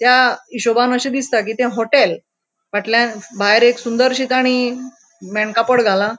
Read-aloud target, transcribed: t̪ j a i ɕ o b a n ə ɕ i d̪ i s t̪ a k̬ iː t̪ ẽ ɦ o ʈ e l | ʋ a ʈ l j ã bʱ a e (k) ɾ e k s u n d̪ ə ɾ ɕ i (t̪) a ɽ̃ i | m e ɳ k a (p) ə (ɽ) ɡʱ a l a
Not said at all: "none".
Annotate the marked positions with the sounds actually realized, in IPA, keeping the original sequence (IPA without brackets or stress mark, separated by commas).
none, t̪, p, ɽ